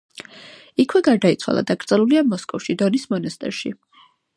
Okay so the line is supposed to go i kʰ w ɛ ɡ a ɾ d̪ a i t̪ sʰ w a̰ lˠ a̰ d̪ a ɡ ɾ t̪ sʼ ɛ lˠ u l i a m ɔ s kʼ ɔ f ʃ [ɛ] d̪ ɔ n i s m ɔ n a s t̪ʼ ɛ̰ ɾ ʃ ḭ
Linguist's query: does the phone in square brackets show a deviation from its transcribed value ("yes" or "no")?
yes